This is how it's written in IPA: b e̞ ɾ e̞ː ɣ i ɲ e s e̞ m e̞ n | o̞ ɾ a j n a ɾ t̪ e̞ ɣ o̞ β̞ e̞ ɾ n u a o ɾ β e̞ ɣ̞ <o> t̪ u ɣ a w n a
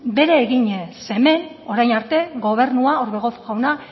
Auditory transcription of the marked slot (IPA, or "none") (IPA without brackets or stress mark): o